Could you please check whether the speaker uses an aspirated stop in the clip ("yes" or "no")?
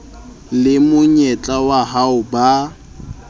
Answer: no